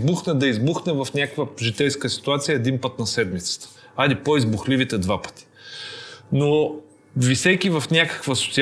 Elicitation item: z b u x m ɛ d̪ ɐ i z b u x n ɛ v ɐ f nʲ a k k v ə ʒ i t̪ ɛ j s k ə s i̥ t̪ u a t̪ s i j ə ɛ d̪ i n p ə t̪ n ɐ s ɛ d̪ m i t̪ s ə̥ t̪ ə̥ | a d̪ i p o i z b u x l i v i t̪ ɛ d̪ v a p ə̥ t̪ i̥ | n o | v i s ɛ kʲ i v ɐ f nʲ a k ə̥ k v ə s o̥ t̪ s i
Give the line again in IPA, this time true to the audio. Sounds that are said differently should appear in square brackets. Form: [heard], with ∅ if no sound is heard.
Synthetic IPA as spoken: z b u x [n] ɛ d̪ ɐ i z b u x n ɛ v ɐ f nʲ a k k v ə ʒ i t̪ ɛ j s k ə s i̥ t̪ u a t̪ s i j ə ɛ d̪ i n p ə t̪ n ɐ s ɛ d̪ m i t̪ s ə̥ t̪ ə̥ | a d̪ i p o i z b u x l i v i t̪ ɛ d̪ v a p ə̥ t̪ i̥ | n o | v i s ɛ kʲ i v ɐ f nʲ a k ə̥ k v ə s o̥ t̪ s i